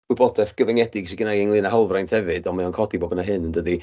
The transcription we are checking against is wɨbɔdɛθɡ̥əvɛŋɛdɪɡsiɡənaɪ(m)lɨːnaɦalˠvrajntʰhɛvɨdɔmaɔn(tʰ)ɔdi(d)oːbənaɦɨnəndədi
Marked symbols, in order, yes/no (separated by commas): no, no, no